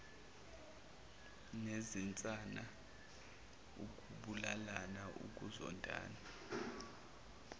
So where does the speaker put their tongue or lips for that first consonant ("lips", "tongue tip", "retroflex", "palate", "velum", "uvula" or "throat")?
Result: tongue tip